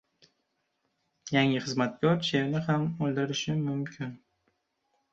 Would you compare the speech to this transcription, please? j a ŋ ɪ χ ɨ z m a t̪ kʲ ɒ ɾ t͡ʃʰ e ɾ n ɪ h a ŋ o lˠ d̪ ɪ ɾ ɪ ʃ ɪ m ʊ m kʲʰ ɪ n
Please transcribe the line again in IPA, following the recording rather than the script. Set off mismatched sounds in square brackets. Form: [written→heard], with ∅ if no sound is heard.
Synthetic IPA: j a ŋ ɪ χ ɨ z m a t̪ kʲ ɒ ɾ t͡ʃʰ e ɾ n ɪ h a [ŋ→m] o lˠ d̪ ɪ ɾ ɪ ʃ ɪ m ʊ m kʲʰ ɪ n